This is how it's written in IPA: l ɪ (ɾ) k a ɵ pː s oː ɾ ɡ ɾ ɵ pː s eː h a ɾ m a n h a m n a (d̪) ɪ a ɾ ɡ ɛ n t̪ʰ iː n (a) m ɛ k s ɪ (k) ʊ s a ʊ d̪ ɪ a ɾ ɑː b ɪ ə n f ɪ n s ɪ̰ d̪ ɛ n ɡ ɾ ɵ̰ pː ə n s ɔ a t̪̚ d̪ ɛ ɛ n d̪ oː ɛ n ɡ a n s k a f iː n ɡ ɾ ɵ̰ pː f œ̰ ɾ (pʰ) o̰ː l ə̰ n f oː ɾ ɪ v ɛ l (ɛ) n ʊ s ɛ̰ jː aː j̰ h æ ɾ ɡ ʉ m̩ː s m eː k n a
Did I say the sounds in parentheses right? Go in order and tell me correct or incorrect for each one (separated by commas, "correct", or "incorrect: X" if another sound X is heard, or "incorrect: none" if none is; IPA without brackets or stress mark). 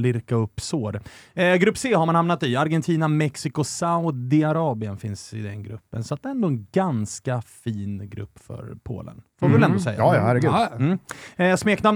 correct, incorrect: t̪, correct, correct, correct, correct